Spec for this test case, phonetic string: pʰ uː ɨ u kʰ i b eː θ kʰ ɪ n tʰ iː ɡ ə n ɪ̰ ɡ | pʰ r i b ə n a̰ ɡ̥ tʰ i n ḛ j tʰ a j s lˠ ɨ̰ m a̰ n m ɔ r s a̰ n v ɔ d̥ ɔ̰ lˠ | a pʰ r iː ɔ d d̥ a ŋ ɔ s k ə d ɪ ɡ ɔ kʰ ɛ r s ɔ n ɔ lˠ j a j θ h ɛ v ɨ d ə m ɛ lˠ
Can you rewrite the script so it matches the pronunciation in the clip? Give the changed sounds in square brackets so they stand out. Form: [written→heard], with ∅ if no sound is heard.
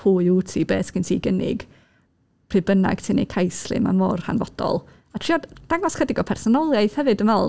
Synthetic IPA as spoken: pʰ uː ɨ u [kʰ→tʰ] i b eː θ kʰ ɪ n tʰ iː ɡ ə n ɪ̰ ɡ | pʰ r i b ə n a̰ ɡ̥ tʰ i n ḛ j [tʰ→kʰ] a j s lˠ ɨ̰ m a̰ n m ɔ r [s→h] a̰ n v ɔ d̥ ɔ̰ lˠ | a [pʰ→tʰ] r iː ɔ d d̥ a ŋ ɔ s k ə d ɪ ɡ ɔ [kʰ→pʰ] ɛ r s ɔ n ɔ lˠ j a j θ h ɛ v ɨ d ə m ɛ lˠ